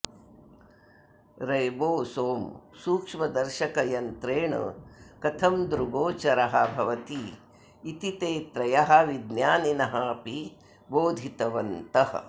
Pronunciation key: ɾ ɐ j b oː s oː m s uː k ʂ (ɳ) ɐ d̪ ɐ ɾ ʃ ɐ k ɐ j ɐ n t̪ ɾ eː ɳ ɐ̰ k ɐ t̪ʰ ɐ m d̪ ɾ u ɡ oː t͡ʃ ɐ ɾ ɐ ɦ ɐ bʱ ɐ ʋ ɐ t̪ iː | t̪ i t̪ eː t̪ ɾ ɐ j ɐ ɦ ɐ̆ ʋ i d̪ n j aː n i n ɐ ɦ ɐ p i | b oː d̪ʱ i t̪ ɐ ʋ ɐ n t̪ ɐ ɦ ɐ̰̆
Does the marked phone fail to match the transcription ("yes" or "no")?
yes